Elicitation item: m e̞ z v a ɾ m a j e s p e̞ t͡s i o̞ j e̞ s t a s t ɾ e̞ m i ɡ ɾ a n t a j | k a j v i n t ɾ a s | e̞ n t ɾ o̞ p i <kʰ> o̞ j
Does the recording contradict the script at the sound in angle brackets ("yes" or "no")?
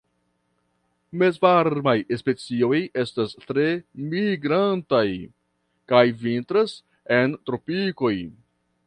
yes